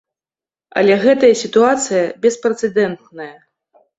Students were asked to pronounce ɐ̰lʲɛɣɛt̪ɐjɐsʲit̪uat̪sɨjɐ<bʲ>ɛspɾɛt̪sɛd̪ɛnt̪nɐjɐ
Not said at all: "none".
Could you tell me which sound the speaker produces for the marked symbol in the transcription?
bʲ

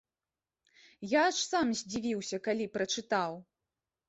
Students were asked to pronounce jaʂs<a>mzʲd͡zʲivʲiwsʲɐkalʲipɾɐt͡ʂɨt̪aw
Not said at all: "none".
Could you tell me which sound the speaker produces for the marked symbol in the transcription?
a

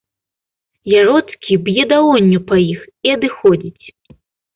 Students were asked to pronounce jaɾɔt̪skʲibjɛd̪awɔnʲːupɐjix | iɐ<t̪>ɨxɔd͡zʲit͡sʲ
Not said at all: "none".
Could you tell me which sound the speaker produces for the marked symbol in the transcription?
d̪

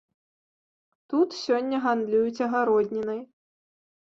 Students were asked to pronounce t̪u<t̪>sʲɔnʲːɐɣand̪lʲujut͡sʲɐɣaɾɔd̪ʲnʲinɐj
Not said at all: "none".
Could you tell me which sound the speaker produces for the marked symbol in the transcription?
t̪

